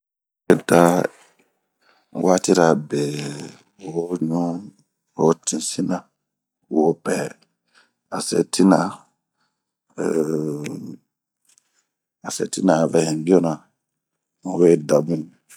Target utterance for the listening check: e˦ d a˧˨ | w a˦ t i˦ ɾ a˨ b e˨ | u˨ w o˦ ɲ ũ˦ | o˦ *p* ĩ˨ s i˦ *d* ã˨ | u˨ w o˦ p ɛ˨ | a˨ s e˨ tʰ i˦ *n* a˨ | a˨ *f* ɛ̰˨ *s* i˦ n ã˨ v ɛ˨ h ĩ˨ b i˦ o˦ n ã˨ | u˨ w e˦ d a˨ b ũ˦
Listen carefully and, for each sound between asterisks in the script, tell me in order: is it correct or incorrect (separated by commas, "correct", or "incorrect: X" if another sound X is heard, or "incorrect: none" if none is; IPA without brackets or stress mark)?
incorrect: t, incorrect: n, correct, incorrect: s, incorrect: t